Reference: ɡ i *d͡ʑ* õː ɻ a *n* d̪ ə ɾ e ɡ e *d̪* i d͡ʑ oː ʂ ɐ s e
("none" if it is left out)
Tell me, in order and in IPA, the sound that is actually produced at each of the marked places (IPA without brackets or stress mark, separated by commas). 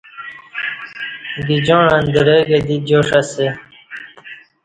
d͡ʑ, n, d̪